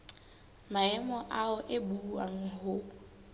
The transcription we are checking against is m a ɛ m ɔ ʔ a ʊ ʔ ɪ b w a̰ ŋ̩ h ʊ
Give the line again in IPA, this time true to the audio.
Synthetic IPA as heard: m a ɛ m ɔ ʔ a ʊ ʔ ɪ b u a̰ ŋ̩ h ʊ